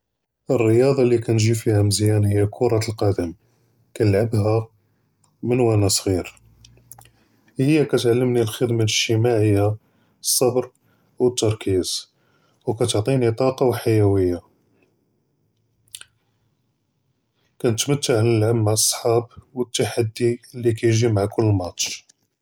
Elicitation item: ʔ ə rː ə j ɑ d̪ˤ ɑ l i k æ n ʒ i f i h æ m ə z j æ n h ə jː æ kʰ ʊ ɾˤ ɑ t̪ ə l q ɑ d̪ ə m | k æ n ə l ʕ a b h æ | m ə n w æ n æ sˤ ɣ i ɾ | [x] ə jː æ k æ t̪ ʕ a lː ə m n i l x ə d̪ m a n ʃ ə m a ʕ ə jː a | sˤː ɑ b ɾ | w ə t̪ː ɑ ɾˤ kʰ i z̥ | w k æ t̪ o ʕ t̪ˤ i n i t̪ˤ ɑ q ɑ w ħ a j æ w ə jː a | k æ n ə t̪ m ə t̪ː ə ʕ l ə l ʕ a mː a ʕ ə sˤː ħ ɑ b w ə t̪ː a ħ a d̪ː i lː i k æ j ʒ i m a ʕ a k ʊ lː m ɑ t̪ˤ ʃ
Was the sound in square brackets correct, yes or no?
no